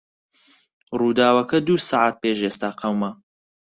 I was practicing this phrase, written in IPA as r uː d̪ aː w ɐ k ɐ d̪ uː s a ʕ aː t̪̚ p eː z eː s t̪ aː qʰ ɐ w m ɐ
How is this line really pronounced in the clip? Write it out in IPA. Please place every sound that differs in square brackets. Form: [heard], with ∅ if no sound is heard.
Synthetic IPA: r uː d̪ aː w ɐ k ɐ d̪ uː s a ʕ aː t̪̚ p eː [ʒ] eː s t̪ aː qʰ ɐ w m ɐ